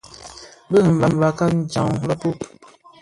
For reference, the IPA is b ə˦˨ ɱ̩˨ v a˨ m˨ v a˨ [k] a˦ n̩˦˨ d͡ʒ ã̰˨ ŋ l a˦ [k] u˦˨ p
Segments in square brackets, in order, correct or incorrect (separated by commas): correct, incorrect